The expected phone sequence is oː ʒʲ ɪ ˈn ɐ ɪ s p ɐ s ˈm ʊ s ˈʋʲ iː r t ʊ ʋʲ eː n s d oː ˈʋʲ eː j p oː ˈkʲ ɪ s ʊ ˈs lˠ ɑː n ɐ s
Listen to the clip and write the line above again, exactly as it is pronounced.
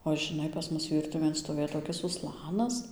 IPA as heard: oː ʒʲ ɪ ˈn ɐ ɪ p ɐ s ˈm ʊ s ˈʋʲ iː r t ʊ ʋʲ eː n s t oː ˈʋʲ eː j t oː ˈkʲ ɪ s ʊ ˈs lˠ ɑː n ɐ s